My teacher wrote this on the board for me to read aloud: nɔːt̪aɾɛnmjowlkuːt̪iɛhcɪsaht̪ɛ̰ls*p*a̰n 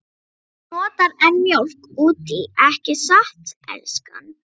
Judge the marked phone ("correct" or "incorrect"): incorrect